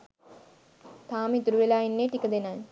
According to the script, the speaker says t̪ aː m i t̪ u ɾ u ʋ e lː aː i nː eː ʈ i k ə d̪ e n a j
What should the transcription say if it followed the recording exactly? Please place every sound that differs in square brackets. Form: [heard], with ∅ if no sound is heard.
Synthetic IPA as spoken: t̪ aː m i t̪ u ɾ u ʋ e [l] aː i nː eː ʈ i k ə d̪ e n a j